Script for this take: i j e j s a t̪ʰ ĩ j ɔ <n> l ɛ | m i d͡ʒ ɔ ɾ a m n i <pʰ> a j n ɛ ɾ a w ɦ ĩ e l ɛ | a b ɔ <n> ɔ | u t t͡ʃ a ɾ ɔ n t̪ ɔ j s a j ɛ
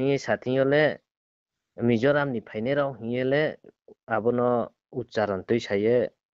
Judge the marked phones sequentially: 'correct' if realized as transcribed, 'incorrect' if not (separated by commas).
incorrect, correct, correct